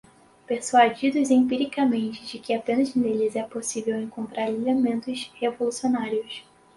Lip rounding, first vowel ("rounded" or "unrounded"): unrounded